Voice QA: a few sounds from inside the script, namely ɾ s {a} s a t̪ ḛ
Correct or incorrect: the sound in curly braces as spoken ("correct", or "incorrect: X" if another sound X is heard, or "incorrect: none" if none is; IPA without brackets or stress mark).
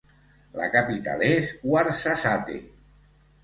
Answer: correct